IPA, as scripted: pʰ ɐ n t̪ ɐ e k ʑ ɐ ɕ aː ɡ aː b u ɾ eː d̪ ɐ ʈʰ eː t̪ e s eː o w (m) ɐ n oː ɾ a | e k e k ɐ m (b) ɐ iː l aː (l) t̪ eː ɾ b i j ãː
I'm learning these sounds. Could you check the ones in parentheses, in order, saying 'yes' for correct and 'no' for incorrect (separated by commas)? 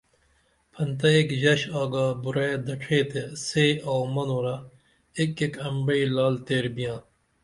yes, yes, yes